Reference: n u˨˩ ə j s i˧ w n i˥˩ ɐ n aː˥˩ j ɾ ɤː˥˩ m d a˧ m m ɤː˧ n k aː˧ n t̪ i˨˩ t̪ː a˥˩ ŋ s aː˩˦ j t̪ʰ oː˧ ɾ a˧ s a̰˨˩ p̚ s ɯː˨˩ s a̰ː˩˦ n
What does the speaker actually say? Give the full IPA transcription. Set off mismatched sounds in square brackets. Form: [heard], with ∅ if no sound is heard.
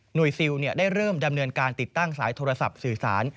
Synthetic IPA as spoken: n u˨˩ ə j s i˧ w n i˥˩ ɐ [d] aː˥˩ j ɾ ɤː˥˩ m d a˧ m [n] ɤː˧ n k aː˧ n t̪ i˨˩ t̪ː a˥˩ ŋ s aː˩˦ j t̪ʰ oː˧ ɾ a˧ s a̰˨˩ p̚ s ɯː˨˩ s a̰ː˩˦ n

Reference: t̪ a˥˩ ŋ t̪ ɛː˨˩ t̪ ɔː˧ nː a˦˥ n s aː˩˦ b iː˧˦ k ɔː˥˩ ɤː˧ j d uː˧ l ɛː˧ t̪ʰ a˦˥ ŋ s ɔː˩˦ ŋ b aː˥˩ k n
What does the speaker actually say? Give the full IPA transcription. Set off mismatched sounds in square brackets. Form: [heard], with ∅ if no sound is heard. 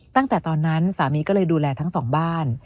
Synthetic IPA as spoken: t̪ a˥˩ ŋ t̪ ɛː˨˩ t̪ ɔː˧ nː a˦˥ n s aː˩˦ [m] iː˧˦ k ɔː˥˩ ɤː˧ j d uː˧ l ɛː˧ t̪ʰ a˦˥ ŋ s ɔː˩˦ ŋ b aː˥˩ [∅] n

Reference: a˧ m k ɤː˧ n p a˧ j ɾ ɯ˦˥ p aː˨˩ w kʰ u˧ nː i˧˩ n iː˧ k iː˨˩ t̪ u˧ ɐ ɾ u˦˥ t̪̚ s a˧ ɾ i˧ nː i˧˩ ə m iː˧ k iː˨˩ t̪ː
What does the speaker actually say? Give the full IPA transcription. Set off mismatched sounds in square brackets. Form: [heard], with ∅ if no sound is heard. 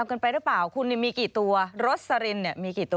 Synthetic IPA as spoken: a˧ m k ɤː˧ n p a˧ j ɾ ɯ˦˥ p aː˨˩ w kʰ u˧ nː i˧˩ [m] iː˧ k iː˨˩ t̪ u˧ ɐ ɾ [o˦˥] t̪̚ s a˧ ɾ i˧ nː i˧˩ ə m iː˧ k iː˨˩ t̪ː

